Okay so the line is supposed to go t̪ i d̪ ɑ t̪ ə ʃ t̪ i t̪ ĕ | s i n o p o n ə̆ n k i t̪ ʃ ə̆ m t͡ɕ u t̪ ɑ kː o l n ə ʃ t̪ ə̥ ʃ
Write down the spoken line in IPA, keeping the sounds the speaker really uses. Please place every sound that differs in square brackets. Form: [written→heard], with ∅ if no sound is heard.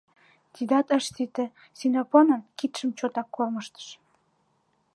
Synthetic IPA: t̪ i d̪ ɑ t̪ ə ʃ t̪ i t̪ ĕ | s i n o p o n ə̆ n k i t̪ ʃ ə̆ m t͡ɕ [u→o] t̪ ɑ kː o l [n→m] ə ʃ t̪ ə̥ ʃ